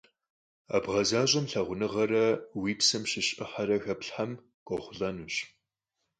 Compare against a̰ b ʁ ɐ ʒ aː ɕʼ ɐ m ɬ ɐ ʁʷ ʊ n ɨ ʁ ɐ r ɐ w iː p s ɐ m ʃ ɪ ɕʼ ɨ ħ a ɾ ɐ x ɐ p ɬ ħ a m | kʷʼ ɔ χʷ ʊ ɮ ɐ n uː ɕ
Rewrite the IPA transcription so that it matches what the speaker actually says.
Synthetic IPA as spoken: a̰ b ʁ ɐ z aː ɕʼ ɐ m ɬ ɐ ʁʷ ʊ n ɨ ʁ ɐ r ɐ w iː p s ɐ m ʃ ɪ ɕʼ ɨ ħ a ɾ ɐ x ɐ p ɬ ħ a m | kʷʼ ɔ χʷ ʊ ɮ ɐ n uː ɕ

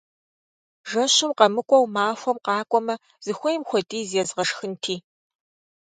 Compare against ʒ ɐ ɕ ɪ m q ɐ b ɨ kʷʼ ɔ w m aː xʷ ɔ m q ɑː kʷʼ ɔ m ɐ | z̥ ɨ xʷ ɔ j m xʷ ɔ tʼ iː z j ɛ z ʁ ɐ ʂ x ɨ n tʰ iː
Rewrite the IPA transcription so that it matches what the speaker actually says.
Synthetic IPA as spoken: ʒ ɐ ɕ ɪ m q ɐ m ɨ kʷʼ ɔ w m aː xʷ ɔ m q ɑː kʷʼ ɔ m ɐ | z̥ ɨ xʷ ɔ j m xʷ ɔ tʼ iː z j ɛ z ʁ ɐ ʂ x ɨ n tʰ iː

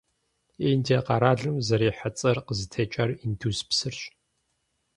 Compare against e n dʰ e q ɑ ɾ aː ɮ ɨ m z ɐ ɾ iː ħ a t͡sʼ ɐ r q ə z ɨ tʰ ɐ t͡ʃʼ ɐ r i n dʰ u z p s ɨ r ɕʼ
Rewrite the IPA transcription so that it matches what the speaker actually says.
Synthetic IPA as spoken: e n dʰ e q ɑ ɾ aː ɮ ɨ m z ɐ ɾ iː ħ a t͡sʼ ɐ r q ə z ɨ tʰ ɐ t͡ʃʼ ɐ r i n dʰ u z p s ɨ r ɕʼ

